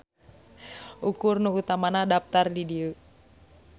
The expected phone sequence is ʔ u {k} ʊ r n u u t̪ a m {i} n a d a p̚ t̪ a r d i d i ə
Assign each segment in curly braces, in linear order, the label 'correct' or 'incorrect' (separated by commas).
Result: correct, incorrect